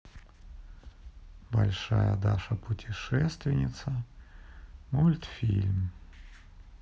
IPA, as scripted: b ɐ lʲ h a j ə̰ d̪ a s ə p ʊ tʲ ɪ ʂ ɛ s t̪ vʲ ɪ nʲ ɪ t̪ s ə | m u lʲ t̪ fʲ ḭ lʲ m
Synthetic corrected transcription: b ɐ lʲ ʂ a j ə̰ d̪ a ʂ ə p ʊ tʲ ɪ ʂ ɛ s t̪ vʲ ɪ nʲ ɪ t̪ s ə | m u lʲ t̪ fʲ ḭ lʲ m